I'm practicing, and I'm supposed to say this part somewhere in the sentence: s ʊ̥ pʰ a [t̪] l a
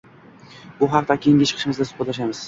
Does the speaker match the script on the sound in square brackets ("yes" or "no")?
yes